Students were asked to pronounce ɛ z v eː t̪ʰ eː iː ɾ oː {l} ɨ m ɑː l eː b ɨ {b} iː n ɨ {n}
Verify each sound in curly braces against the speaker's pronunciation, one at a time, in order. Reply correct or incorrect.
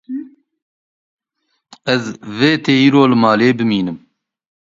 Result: correct, incorrect: m, incorrect: m

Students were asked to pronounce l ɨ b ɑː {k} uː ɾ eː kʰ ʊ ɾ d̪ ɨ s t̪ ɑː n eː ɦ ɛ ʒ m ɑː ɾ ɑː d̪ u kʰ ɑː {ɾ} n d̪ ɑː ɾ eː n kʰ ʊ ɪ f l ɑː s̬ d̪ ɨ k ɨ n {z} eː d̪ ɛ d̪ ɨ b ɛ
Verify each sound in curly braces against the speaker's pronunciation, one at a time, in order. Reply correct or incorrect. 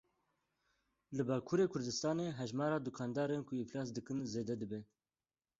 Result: incorrect: kʰ, incorrect: none, correct

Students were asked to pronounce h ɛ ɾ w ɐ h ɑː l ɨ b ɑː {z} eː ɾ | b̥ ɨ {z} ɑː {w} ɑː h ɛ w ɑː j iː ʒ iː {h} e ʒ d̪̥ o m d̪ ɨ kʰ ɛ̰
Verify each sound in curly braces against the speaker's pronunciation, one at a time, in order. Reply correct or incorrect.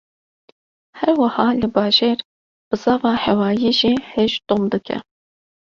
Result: incorrect: ʒ, correct, incorrect: v, correct

